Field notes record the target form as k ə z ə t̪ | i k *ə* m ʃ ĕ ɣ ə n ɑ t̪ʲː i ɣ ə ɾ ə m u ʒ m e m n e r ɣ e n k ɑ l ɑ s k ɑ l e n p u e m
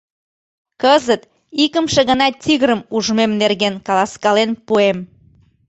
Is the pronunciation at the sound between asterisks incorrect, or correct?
correct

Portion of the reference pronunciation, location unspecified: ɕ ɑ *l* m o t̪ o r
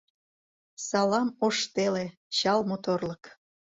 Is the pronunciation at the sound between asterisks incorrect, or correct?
correct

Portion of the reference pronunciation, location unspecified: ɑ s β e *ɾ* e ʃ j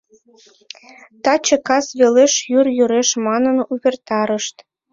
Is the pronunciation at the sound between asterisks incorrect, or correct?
incorrect: l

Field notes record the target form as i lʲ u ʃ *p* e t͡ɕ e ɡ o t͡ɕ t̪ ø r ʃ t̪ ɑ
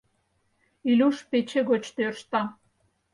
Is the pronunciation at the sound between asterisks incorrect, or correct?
correct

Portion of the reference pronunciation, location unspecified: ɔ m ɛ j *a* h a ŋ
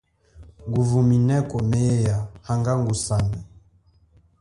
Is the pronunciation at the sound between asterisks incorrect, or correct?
correct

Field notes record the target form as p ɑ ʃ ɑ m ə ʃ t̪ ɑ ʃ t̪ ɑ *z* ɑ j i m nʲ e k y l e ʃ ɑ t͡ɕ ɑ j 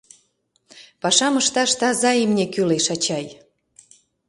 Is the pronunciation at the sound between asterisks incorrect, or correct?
correct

